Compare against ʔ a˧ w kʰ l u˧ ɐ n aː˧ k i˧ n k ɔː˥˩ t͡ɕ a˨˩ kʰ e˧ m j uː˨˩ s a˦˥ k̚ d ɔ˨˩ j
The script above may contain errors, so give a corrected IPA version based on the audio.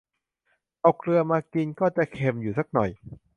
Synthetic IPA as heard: ʔ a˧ w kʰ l ɯ˧ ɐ m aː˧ k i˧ n k ɔː˥˩ t͡ɕ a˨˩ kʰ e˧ m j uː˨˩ s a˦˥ k̚ n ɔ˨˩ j